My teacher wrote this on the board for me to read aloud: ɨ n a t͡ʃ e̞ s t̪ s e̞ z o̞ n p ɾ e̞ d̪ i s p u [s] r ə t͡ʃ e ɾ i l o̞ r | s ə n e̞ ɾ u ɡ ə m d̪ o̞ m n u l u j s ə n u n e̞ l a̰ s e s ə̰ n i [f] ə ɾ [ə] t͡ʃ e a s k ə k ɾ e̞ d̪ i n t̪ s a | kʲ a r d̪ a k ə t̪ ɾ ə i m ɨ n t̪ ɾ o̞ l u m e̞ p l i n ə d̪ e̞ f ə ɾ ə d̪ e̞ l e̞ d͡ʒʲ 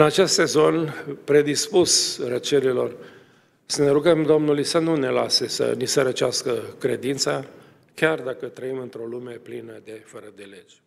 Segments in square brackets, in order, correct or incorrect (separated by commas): correct, incorrect, correct